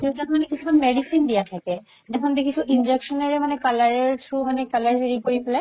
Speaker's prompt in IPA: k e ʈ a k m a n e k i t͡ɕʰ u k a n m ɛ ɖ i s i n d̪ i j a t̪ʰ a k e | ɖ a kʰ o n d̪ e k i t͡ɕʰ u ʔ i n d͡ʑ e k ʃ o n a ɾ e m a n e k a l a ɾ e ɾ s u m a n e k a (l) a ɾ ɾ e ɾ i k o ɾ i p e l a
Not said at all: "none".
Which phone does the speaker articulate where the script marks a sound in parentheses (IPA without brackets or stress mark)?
l